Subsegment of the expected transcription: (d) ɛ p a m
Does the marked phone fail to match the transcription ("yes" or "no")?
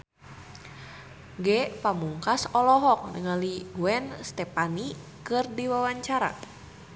yes